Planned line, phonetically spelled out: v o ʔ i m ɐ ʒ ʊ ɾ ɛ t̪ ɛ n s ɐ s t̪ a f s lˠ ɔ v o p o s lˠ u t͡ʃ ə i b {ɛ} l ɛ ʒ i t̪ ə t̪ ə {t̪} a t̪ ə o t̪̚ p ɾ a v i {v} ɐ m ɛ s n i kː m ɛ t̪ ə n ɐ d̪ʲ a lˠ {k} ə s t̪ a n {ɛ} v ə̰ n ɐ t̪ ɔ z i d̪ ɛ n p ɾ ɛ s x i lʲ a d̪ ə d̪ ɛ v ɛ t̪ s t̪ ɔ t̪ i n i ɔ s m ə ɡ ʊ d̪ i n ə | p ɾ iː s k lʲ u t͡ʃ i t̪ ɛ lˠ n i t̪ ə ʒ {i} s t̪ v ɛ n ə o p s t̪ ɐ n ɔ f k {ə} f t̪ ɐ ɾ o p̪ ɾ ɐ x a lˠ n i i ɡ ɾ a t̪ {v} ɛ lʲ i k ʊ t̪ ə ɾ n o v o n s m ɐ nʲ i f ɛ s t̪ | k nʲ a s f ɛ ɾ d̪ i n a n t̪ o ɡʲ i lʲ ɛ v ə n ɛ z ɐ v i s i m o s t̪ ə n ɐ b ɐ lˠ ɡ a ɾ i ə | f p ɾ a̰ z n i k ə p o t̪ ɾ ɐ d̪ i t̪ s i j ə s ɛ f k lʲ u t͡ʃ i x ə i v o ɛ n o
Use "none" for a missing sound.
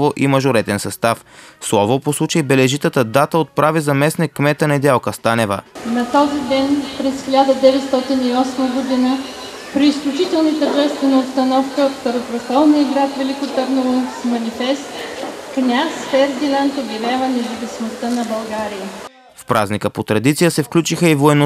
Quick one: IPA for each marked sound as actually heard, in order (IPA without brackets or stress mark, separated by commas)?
ɛ, d̪, z, k, ɛ, ɛ, ə, v